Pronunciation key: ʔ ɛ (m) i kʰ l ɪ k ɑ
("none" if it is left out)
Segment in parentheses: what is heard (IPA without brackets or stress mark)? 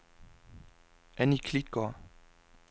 n